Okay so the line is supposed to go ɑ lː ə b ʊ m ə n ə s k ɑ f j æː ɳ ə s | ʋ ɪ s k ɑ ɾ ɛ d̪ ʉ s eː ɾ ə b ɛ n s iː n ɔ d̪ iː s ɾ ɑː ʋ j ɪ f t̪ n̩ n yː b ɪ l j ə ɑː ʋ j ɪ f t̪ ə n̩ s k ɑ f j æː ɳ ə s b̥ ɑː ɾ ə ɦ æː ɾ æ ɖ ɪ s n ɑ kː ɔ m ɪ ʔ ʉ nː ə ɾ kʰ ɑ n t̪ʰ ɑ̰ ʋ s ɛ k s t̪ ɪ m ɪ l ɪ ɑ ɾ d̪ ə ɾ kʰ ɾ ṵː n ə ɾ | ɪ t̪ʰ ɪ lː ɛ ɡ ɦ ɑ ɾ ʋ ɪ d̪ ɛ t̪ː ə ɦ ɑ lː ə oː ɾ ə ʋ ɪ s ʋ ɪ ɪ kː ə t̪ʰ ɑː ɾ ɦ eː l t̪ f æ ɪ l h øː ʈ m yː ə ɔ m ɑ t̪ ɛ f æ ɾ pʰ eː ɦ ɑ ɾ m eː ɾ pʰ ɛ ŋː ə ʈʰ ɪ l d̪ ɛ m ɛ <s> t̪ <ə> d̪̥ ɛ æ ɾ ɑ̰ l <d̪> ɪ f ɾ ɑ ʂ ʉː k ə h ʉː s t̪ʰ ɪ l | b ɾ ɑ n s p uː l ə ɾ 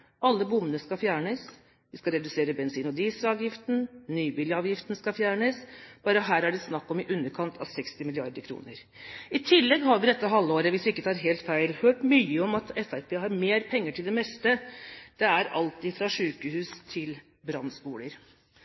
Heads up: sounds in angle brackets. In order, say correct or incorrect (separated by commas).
correct, correct, incorrect